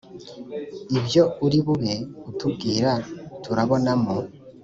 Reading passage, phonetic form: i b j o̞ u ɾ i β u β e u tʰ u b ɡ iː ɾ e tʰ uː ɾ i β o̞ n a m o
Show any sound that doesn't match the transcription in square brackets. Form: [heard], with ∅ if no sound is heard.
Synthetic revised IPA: i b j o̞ u ɾ i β u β e u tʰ u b ɡ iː ɾ [a] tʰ [u] ɾ [a] β o̞ n a m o